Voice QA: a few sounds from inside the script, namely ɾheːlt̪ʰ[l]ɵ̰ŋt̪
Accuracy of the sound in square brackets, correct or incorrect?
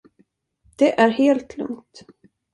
correct